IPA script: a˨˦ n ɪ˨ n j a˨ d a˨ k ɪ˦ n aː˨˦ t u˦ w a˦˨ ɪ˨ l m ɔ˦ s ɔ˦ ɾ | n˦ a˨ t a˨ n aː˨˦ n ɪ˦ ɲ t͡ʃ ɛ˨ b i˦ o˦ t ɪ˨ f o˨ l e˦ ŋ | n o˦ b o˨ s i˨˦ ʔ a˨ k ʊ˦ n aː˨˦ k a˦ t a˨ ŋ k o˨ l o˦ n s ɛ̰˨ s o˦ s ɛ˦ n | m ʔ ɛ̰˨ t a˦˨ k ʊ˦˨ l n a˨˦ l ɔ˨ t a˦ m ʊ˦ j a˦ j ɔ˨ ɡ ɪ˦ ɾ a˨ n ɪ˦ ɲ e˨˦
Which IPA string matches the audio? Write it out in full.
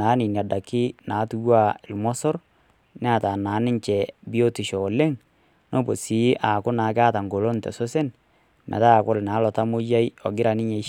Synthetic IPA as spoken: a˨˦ n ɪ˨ n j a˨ d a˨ k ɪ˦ n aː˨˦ t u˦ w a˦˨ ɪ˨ l m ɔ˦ s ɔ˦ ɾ | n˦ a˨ t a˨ n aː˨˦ n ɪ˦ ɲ t͡ʃ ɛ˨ b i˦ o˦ t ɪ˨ ʃ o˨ l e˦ ŋ | n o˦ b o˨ s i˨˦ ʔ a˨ k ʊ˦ n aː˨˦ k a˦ t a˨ ŋ ɡ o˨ l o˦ n t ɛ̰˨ s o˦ s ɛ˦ n | m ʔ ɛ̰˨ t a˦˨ k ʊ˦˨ l n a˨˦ l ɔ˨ t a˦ m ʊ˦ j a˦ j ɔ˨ ɡ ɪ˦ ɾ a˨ n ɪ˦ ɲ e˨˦